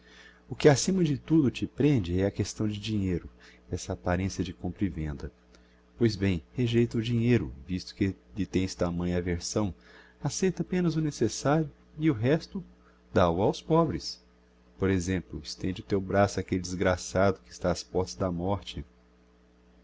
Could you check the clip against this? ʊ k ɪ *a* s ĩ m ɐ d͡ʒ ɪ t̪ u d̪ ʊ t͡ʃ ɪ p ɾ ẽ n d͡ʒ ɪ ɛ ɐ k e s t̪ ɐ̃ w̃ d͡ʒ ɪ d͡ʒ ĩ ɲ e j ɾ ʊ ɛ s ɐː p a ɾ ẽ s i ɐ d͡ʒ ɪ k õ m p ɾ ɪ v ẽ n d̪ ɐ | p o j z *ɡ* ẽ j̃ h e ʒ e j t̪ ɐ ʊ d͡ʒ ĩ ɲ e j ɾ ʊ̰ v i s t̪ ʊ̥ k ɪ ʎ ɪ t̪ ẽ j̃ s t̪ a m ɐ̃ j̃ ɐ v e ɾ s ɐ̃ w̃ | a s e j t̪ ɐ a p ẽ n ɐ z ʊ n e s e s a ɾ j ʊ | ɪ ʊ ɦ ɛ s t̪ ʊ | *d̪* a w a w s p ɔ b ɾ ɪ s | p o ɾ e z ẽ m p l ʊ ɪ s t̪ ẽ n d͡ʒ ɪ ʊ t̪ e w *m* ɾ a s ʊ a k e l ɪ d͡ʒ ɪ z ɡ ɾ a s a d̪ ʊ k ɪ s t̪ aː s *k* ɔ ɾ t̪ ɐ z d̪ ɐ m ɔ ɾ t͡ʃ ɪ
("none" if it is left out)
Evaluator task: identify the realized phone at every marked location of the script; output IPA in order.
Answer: a, b, d̪, b, p

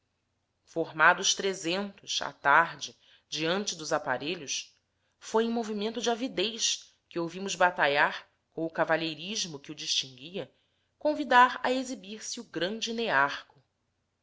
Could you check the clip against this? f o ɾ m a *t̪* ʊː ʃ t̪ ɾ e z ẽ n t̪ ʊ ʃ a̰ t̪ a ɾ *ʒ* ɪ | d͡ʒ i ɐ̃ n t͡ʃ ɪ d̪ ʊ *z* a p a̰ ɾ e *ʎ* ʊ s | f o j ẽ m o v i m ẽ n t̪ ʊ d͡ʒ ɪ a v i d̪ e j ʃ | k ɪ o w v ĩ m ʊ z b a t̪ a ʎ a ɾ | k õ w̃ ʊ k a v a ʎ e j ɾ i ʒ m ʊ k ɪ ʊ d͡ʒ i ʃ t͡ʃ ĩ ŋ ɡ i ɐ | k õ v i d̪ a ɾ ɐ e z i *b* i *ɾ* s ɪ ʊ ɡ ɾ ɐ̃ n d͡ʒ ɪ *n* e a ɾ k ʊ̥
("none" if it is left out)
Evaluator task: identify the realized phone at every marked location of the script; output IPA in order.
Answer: d̪, d͡ʒ, z, ʎ, b, ɾ, n

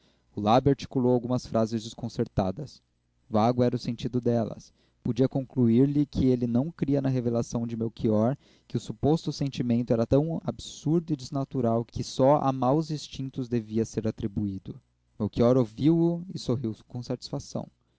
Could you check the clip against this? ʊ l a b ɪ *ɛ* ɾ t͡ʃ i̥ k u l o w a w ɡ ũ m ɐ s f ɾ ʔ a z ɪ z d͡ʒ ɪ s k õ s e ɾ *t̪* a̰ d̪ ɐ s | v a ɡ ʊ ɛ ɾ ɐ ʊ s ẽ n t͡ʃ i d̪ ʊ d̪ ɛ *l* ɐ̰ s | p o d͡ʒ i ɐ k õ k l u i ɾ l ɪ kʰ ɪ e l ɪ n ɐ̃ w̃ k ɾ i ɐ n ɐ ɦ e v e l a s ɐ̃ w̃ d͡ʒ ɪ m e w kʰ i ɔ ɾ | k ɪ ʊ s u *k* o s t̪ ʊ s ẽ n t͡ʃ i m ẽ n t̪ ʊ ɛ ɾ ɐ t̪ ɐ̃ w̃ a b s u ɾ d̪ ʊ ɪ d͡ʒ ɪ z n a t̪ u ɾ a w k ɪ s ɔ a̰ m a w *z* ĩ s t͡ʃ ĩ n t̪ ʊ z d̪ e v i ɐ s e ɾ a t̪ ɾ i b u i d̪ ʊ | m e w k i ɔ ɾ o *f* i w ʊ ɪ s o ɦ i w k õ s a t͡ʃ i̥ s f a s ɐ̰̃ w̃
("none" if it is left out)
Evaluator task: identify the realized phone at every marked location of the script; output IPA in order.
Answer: a, t̪, l, p, z, v

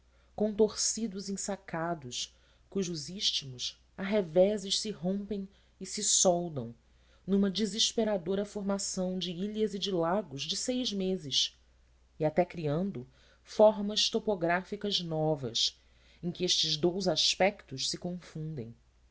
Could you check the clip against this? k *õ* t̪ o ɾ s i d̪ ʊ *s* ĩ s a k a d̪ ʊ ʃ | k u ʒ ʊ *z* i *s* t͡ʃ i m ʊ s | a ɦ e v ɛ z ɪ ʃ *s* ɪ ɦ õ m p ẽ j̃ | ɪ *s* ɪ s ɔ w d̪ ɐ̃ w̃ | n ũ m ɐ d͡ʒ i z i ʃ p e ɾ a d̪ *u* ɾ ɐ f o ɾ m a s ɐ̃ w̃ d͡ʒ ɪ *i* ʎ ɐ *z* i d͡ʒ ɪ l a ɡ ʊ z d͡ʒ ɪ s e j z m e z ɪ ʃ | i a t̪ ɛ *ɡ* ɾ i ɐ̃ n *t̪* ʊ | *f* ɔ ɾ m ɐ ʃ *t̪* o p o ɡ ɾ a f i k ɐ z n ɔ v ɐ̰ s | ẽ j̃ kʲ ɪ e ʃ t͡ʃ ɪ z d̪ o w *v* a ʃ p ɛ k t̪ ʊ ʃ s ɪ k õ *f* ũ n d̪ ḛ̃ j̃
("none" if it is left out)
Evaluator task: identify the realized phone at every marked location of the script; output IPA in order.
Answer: õ, z, z, ʃ, s, s, o, i, z, k, d̪, f, t̪, z, f

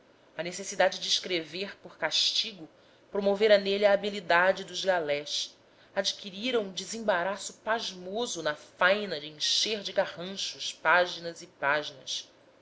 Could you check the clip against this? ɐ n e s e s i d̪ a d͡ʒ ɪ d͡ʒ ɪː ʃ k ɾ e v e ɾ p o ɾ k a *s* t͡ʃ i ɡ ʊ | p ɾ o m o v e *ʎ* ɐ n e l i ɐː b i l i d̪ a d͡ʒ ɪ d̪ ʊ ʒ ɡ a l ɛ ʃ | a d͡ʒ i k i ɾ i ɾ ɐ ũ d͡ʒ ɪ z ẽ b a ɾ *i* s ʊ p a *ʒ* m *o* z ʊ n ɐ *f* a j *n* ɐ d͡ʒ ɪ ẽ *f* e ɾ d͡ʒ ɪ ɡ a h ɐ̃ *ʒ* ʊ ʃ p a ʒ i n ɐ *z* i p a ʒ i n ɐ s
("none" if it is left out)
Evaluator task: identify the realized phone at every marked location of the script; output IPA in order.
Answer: ʃ, ɾ, a, ʒ, o, f, n, ʃ, ʃ, z

